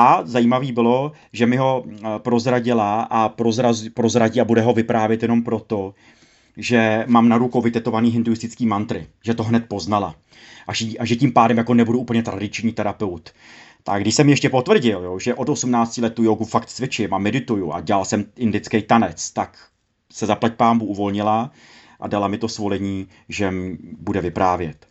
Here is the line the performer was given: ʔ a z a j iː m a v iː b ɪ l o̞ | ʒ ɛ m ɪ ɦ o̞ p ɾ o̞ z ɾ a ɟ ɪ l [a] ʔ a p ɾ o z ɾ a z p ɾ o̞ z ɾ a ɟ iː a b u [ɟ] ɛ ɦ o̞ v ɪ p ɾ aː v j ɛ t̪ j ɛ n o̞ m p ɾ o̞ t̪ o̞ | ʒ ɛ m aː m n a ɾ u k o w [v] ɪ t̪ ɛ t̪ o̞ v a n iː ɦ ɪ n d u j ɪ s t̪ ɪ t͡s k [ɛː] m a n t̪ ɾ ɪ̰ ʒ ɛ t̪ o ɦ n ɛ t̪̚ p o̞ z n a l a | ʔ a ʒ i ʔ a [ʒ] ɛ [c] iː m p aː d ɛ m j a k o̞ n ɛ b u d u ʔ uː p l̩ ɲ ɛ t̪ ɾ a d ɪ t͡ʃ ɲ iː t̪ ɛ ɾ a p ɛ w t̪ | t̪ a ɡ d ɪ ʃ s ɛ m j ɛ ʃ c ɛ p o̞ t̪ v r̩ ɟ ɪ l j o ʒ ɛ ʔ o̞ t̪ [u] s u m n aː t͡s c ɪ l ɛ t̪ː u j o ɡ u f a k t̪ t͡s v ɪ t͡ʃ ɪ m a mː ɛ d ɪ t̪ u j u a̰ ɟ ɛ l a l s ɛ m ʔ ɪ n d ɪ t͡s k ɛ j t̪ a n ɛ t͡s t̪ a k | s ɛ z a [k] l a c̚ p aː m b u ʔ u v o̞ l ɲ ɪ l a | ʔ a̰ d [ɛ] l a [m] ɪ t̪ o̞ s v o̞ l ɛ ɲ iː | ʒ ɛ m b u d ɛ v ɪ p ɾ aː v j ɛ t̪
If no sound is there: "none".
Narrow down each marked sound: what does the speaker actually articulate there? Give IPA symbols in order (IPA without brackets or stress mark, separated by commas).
a, d, v, iː, ʒ, c, o, p, a, m